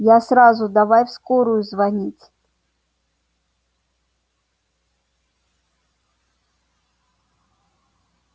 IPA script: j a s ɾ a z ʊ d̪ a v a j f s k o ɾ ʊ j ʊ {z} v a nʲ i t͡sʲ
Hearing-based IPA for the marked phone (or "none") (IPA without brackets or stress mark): z